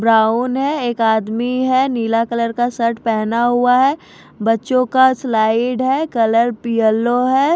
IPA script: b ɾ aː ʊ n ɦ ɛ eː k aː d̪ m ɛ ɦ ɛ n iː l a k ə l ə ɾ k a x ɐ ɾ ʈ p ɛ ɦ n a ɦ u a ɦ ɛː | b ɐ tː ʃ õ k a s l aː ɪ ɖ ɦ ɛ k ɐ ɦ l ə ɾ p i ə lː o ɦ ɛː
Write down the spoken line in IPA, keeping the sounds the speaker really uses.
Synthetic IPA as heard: b ɾ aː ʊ n ɦ ɛ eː k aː d̪ m i ɦ ɛ n iː l a k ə l ə ɾ k a s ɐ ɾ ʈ p ɛ ɦ n a ɦ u a ɦ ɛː | b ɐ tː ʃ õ k a s l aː ɪ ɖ ɦ ɛ k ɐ l ə ɾ p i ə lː o ɦ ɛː